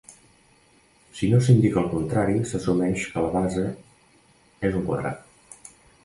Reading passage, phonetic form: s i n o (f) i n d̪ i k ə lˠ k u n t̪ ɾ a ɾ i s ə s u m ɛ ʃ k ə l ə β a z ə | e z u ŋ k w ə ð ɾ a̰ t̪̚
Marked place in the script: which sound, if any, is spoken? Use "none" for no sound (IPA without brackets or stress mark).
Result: s